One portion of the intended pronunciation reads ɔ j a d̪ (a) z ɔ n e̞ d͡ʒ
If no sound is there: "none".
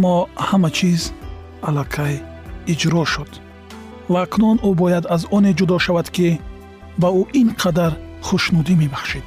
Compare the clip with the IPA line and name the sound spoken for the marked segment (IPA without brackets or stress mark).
a